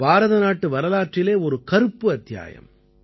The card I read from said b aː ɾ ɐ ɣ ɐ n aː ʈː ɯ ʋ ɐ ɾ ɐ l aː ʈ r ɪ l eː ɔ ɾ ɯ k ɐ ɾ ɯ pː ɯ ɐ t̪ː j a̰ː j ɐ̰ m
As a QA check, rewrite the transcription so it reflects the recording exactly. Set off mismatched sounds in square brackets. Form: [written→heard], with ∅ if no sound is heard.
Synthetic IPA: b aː ɾ ɐ [ɣ→ð] ɐ n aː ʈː ɯ ʋ ɐ ɾ ɐ l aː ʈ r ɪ l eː ɔ ɾ ɯ k ɐ ɾ ɯ pː ɯ ɐ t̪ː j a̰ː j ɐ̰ m